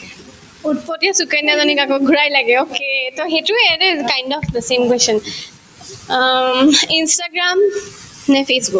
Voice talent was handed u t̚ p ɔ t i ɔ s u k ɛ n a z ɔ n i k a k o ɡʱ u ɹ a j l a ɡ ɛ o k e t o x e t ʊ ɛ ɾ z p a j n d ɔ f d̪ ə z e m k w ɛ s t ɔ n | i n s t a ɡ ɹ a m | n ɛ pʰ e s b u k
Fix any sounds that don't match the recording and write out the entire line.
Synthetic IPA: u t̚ p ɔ t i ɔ s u k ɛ n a z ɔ n i k a k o ɡʱ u ɹ a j l a ɡ ɛ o k e t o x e t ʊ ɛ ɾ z k a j n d ɔ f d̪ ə s e m k w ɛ s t ɔ n | i n s t a ɡ ɹ a m | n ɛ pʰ e s b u k